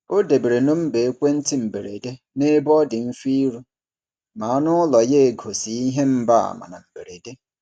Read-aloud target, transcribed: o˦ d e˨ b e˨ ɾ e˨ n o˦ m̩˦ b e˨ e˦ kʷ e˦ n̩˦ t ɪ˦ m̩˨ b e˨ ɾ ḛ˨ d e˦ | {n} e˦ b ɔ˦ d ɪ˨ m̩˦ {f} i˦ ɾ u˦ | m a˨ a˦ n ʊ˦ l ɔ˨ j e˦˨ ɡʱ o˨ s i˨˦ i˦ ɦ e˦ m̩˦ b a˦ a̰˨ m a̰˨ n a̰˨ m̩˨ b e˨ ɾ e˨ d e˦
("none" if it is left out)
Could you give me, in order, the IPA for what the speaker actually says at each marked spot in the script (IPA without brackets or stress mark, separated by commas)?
n, f